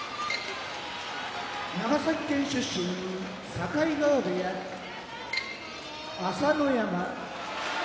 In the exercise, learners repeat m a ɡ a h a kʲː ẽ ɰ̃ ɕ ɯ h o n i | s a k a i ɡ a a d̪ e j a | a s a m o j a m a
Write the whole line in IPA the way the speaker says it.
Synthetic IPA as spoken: n a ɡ a s a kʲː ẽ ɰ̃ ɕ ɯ ɕ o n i | s a k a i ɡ a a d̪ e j a | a s a n o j a m a